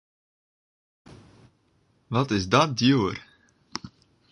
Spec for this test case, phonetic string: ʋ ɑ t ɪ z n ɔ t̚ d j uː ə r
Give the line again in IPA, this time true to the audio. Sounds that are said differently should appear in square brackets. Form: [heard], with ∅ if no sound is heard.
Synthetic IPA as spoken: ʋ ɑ t ɪ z [d] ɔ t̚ d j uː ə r